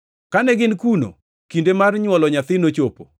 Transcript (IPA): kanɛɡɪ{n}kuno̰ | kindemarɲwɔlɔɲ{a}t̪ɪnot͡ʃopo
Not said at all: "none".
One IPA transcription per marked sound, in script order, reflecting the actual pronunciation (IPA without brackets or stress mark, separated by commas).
n, a